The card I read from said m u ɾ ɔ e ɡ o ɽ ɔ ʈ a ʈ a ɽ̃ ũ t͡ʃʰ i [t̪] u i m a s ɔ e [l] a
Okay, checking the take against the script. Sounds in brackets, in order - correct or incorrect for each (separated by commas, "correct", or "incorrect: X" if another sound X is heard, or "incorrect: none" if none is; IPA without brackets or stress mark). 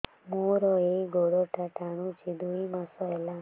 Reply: incorrect: d̪, correct